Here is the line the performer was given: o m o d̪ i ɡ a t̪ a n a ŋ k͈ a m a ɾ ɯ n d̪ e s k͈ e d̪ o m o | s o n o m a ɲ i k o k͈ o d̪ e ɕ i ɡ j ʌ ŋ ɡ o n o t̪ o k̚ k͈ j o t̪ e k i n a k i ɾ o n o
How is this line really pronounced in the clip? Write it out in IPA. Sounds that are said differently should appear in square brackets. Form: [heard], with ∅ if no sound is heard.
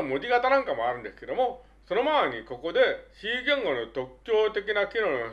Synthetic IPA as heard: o m o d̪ i ɡ a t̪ a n a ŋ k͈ a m a ɾ ɯ n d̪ e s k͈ e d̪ o m o | s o n o m a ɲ i k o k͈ o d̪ e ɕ i ɡ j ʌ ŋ ɡ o n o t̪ o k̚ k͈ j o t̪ e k i n a k i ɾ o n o